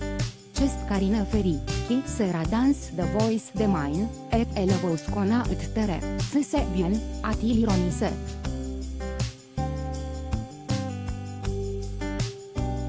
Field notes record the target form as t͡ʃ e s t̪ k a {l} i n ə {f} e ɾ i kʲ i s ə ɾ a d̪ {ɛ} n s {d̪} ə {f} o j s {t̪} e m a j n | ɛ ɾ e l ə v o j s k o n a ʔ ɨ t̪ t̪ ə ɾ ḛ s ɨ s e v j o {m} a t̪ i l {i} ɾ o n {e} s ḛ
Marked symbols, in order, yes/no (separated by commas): no, yes, no, yes, no, no, no, yes, no